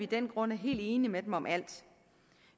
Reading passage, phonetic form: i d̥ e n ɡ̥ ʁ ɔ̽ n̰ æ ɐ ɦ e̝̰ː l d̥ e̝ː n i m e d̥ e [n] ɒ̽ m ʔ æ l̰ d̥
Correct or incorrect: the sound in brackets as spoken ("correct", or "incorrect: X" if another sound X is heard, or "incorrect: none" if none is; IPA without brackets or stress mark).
incorrect: m